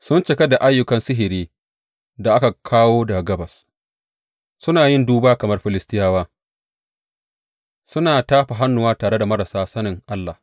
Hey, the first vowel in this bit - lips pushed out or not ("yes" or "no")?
yes